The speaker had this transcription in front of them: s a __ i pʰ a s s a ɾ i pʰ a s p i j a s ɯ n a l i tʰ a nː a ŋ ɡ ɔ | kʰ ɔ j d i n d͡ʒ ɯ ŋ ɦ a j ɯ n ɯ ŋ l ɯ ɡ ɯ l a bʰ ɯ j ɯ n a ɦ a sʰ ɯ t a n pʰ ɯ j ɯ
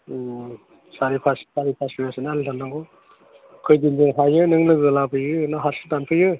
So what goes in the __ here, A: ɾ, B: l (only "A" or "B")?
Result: A